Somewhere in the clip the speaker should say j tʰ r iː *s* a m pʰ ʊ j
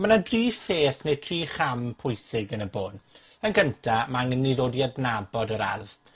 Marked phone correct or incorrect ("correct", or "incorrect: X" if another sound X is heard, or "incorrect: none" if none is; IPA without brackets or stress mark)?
incorrect: χ